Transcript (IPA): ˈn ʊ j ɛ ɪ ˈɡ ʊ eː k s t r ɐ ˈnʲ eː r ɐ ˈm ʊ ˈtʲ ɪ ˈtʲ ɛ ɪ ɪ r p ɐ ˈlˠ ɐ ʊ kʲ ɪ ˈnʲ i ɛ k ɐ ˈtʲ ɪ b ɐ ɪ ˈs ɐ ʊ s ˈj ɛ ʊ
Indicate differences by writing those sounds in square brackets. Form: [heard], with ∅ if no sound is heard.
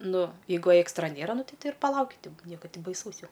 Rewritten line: ˈn ʊ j ɛ ɪ ˈɡ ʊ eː k s t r ɐ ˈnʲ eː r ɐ [ˈn] ʊ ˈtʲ ɪ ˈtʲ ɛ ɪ ɪ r p ɐ ˈlˠ ɐ ʊ kʲ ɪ ˈnʲ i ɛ k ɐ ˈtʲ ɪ b ɐ ɪ ˈs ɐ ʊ s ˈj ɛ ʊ